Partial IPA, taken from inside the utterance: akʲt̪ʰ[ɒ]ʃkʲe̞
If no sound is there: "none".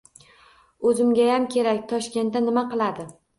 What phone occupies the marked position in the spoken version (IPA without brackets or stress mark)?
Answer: ɒ